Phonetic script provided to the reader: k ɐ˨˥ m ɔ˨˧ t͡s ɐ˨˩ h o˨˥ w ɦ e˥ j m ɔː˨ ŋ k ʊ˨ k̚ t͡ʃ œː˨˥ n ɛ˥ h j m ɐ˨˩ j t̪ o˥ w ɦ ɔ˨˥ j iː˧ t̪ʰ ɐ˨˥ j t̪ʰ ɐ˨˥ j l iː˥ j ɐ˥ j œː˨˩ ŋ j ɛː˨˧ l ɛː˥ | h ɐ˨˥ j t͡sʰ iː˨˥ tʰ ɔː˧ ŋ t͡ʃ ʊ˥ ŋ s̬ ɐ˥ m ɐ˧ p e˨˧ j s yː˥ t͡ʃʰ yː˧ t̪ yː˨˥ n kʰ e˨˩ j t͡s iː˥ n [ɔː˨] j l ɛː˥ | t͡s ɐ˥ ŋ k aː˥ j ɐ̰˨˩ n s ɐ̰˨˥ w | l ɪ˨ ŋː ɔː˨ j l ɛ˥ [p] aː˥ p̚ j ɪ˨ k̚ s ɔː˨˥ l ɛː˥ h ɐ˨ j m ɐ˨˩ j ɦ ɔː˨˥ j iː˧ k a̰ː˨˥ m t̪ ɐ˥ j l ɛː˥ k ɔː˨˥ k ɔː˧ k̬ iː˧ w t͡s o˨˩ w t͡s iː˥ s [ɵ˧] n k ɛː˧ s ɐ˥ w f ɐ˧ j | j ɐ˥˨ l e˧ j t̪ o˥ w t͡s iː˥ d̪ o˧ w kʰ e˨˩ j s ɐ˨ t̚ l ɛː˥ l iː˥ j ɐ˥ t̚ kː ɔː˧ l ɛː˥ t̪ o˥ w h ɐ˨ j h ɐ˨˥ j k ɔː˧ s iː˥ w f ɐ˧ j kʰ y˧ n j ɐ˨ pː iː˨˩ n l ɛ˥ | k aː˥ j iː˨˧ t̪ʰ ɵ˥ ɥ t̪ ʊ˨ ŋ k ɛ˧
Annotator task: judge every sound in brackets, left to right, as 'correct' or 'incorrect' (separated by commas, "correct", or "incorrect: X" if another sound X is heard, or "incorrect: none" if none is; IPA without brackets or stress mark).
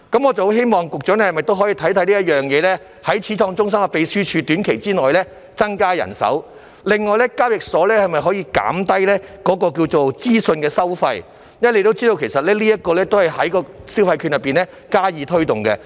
correct, incorrect: k, correct